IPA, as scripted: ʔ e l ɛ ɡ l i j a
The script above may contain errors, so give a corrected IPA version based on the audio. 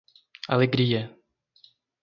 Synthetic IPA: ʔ a l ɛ ɡ ɾ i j ɛ